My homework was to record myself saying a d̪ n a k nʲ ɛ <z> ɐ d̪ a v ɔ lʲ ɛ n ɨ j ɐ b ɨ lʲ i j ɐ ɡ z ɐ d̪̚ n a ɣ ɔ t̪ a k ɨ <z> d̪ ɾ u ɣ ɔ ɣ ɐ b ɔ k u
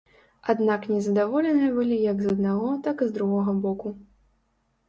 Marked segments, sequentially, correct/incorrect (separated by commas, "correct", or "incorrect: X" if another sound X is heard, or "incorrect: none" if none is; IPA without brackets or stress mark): correct, correct